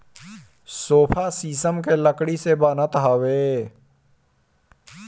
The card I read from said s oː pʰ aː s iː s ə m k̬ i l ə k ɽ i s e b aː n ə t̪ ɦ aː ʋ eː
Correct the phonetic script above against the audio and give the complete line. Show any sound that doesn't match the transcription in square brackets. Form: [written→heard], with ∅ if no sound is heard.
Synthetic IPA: s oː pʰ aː s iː s ə m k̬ [i→e] l ə k ɽ i s e b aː n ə t̪ ɦ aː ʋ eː

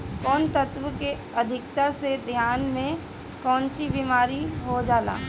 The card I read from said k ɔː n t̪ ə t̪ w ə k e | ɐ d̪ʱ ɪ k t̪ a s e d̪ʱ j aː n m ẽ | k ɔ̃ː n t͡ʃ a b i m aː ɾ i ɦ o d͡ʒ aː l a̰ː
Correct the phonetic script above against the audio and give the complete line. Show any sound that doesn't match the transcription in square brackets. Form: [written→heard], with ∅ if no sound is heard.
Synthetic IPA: k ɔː n t̪ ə t̪ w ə k e | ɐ d̪ʱ ɪ k t̪ a s e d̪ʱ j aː n m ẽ | k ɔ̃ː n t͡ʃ [a→i] b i m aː ɾ i ɦ o d͡ʒ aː l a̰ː

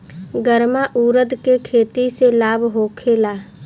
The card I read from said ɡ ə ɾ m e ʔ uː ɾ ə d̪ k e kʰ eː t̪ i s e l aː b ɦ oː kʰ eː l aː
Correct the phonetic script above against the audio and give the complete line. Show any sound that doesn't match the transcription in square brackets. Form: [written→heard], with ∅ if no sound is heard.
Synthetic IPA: ɡ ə ɾ m [e→a] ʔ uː ɾ ə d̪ k e kʰ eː t̪ i s e l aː b ɦ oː kʰ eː l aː

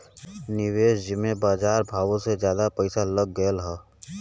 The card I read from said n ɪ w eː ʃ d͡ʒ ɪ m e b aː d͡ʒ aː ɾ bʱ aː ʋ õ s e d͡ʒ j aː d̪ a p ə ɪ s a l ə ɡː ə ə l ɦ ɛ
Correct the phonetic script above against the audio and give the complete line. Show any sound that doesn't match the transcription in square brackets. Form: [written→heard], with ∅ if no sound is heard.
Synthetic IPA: n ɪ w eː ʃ d͡ʒ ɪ m e b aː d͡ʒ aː ɾ bʱ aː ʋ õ s e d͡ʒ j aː d̪ a p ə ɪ s a l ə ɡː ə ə l ɦ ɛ

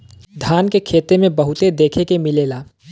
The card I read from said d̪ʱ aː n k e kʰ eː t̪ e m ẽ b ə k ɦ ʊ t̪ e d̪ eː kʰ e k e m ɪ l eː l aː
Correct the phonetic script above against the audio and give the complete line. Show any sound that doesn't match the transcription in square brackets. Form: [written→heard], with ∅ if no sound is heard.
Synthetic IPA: d̪ʱ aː n k e kʰ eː t̪ e m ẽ b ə [k→∅] ɦ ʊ t̪ e d̪ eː kʰ e k e m ɪ l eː l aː

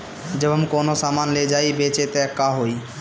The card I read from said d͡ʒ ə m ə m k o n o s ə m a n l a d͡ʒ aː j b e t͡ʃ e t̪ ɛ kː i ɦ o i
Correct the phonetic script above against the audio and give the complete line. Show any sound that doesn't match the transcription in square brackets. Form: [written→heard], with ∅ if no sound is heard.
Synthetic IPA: d͡ʒ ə [m→b] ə m k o n o s [ə→a] m a n l [a→e] d͡ʒ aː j b e t͡ʃ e t̪ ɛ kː [i→a] ɦ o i

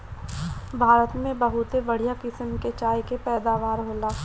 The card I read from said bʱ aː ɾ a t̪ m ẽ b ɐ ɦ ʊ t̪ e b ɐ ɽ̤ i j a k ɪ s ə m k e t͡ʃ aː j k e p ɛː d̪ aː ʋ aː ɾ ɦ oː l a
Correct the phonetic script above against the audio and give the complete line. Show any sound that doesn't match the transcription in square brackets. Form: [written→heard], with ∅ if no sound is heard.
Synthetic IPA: bʱ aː ɾ [a→ə] t̪ m ẽ b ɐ ɦ ʊ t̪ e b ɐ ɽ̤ i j a k ɪ s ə m k e t͡ʃ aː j k e p ɛː d̪ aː ʋ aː ɾ ɦ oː l a

